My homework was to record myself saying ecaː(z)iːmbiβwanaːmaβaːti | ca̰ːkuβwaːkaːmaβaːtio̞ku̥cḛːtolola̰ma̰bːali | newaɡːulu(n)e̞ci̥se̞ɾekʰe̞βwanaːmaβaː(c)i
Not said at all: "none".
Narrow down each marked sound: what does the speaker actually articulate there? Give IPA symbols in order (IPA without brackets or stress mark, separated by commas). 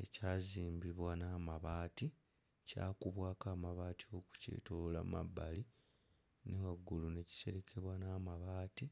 z, n, t